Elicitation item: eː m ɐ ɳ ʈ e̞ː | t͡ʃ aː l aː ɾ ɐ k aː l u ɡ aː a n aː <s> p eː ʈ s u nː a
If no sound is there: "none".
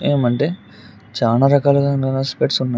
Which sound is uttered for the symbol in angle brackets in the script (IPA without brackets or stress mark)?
s